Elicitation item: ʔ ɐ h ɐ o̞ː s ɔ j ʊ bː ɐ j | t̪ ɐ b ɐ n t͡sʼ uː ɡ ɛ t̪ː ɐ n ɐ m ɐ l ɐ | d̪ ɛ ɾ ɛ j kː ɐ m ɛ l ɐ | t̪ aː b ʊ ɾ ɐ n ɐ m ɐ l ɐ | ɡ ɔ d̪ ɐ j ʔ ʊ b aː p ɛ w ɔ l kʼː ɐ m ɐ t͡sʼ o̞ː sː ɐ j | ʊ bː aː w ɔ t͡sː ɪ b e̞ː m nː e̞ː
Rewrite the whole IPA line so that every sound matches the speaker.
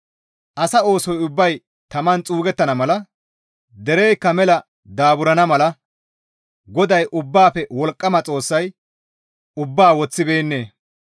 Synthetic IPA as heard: ʔ ɐ s ɐ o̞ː s ɔ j ʊ bː ɐ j | t̪ ɐ m ɐ n t͡sʼ uː ɡ ɛ t̪ː ɐ n ɐ m ɐ l ɐ | d̪ ɛ ɾ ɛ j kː ɐ m ɛ l ɐ | d̪ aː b ʊ ɾ ɐ n ɐ m ɐ l ɐ | ɡ ɔ d̪ ɐ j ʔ ʊ bː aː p ɛ w ɔ l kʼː ɐ m ɐ t͡sʼ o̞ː sː ɐ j | ʊ bː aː w ɔ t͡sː ɪ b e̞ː nː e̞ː